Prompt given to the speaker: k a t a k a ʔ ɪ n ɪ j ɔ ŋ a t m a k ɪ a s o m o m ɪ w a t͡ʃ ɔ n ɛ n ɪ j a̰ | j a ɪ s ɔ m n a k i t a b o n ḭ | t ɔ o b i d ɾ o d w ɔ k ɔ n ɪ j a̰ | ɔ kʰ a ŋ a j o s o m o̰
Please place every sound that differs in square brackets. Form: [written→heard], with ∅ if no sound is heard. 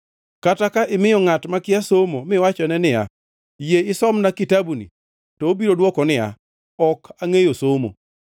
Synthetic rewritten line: k a t a k a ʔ ɪ [n→m] ɪ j ɔ ŋ a t m a k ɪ a s o m o m ɪ w a t͡ʃ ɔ n ɛ n ɪ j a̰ | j [a→e] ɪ s ɔ m n a k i t a b [o→u] n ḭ | t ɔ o b i [d→∅] ɾ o d w ɔ k ɔ n ɪ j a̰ | ɔ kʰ a ŋ [a→e] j o s o m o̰